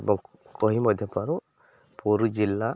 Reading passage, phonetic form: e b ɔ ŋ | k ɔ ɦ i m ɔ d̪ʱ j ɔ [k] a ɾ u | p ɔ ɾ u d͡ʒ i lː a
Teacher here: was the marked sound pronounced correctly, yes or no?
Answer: no